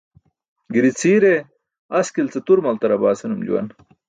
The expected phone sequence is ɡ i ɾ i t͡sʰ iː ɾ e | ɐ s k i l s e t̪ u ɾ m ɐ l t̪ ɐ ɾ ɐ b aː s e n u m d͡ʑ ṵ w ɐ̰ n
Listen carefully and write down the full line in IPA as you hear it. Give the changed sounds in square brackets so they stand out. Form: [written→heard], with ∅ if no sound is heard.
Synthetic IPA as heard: ɡ i ɾ i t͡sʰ iː ɾ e | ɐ s k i l [s→t͡s] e t̪ u ɾ m ɐ l t̪ ɐ ɾ ɐ b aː s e n u m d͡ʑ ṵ w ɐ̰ n